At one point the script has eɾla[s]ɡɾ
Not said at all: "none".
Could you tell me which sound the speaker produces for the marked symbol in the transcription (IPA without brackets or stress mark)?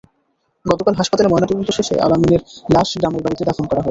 ʃ